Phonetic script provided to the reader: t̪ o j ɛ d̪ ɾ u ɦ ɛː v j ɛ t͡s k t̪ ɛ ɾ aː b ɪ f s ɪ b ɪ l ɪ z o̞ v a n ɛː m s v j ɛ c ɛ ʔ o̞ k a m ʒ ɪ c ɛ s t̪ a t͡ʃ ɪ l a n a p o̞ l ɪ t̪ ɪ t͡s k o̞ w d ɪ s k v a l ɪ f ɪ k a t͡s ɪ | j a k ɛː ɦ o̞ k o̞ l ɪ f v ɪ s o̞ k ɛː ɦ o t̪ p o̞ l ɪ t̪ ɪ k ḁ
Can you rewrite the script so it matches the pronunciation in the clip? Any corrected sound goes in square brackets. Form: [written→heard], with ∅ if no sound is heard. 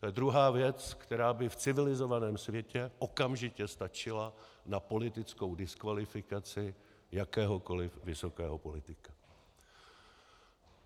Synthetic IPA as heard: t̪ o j ɛ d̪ ɾ u ɦ [ɛː→aː] v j ɛ t͡s k t̪ ɛ ɾ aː b ɪ f [s→t͡s] ɪ [b→v] ɪ l ɪ z o̞ v a n ɛː m s v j ɛ c ɛ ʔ o̞ k a m ʒ ɪ c ɛ s t̪ a t͡ʃ ɪ l a n a p o̞ l ɪ t̪ ɪ t͡s k o̞ w d ɪ s k v a l ɪ f ɪ k a t͡s ɪ | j a k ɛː ɦ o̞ k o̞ l ɪ f v ɪ s o̞ k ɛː ɦ o [t̪→∅] p o̞ l ɪ t̪ ɪ k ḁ